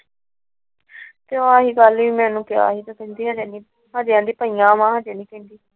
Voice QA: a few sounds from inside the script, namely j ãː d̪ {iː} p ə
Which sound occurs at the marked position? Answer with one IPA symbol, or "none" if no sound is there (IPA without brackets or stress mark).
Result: iː